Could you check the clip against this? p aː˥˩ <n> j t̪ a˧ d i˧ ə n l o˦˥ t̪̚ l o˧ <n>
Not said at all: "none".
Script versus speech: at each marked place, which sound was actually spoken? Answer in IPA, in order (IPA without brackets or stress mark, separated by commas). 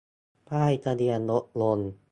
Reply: none, n